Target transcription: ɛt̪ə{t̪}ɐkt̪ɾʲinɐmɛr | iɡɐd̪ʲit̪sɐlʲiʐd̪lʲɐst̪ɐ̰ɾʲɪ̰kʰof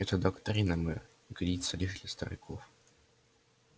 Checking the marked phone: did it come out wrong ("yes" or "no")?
yes